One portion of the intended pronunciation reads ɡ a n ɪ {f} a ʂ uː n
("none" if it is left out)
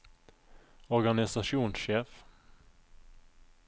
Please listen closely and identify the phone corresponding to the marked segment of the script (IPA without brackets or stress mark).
s